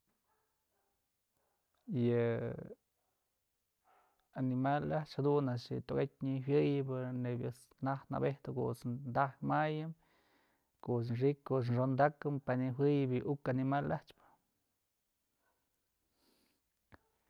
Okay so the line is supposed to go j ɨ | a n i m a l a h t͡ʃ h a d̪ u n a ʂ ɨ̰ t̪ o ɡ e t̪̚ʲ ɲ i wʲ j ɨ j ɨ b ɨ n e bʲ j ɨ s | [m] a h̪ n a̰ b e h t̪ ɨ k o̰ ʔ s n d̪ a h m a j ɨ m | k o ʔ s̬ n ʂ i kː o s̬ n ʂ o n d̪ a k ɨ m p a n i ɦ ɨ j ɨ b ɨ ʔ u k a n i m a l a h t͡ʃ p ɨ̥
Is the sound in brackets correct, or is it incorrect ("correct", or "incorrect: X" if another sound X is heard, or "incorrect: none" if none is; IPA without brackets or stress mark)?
incorrect: n